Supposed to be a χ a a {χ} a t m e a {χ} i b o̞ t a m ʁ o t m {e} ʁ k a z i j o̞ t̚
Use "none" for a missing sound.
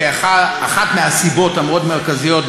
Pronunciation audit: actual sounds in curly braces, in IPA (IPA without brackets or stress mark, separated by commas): χ, s, e